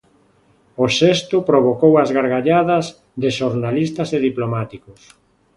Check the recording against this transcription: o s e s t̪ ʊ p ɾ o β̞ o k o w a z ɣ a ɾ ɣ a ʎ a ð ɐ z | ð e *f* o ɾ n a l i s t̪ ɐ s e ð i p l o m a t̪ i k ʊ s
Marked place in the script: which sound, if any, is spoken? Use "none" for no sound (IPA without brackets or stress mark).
ʃ